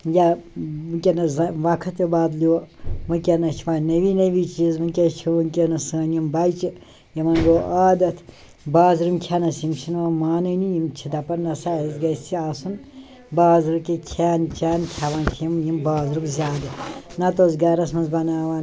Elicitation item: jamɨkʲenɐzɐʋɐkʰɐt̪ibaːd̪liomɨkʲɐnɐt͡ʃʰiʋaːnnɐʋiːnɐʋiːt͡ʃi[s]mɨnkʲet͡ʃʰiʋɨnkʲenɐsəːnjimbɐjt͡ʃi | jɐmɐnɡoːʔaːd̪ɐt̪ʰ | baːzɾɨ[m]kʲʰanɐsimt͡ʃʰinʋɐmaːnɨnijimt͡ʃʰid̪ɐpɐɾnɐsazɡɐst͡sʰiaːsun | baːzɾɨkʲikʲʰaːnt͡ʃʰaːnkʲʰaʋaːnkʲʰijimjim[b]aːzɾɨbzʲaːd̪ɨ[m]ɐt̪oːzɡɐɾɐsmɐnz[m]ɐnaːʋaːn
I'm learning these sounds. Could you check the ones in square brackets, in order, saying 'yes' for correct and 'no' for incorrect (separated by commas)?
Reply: no, yes, yes, no, no